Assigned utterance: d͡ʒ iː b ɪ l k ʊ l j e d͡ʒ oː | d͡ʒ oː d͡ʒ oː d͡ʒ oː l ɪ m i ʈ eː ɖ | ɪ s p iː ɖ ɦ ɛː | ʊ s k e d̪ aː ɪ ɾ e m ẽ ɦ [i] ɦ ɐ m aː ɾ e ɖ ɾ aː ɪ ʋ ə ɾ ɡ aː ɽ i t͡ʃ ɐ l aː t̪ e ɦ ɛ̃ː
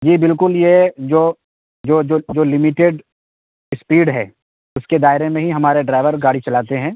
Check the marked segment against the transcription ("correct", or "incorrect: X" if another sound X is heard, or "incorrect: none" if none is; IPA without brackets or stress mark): correct